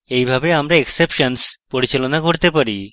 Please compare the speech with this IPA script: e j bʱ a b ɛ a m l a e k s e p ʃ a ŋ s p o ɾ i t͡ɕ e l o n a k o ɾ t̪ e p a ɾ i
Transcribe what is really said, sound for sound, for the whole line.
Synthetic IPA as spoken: e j bʱ a b e a m ɾ a e k s e p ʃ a n s p o ɾ i t͡ɕ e l o n a k o ɾ t̪ e p a ɾ i